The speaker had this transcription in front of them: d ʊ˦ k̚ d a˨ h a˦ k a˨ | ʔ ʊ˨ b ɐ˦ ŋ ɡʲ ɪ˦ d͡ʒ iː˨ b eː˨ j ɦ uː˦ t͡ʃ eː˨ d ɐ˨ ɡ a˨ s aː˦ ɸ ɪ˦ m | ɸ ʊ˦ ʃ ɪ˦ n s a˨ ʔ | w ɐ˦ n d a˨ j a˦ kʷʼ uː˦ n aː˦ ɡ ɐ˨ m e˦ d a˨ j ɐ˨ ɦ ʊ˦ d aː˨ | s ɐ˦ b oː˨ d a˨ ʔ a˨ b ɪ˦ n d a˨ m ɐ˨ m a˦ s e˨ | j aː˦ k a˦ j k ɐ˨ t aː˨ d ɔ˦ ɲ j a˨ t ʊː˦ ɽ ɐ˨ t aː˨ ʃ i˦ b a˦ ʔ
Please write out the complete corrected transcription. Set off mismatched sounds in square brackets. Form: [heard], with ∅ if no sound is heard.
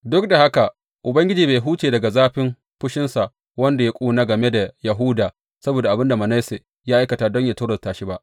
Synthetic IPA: d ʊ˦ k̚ d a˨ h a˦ k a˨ | ʔ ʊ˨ b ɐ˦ ŋ ɡʲ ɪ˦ d͡ʒ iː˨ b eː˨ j ɦ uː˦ t͡ʃ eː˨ d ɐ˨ ɡ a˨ [z] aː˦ ɸ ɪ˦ m | ɸ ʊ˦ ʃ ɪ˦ n s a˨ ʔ | w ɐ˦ n d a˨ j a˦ kʷʼ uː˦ n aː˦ ɡ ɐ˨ m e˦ d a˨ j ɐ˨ ɦ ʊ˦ d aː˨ | s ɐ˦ b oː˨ d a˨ ʔ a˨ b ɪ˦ n d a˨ m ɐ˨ [n] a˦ s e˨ | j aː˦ [ʔ] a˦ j k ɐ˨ t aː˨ d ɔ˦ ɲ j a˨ t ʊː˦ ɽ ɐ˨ t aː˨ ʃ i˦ b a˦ ʔ